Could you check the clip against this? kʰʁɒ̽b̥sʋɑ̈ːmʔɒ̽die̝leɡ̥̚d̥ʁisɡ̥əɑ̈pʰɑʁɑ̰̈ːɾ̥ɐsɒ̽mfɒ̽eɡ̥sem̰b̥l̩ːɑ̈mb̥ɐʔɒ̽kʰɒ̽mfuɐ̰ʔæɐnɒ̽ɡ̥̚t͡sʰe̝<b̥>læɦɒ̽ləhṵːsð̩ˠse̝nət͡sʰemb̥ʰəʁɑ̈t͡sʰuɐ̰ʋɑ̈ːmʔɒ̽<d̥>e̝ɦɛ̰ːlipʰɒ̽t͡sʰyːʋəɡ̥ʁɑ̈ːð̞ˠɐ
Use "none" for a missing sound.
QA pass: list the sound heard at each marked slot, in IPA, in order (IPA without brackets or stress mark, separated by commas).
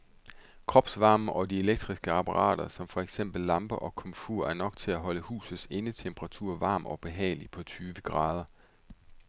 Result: none, b̥